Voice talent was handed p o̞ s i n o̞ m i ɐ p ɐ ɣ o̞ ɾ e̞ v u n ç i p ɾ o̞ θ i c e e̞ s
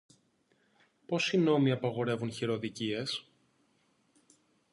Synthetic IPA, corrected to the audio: p o̞ s i n o̞ m i ɐ p ɐ ɣ o̞ ɾ e̞ v u n ç i ɾ o̞ ð i c i e̞ s